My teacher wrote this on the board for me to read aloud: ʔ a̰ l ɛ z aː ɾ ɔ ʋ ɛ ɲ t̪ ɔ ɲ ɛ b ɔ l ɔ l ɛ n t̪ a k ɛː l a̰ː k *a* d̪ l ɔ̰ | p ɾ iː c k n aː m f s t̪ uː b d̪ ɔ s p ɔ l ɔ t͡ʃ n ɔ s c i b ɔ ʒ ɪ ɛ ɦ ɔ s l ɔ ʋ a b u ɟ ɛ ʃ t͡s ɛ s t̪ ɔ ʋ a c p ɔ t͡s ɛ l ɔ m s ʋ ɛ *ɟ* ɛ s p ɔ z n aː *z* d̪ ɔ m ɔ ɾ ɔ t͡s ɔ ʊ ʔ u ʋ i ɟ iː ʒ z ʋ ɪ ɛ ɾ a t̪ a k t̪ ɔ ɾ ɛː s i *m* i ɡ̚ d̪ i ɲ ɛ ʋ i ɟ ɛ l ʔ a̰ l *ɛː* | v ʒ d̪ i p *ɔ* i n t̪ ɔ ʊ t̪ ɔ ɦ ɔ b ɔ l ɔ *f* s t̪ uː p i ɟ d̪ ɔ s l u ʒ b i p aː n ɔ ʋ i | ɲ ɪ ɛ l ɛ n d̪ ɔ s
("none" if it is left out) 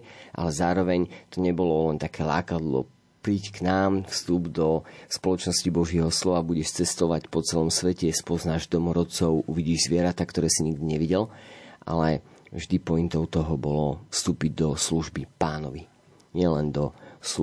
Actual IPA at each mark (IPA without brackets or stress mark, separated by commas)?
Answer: a, c, ʒ, ɲ, ɛ, ɔ, f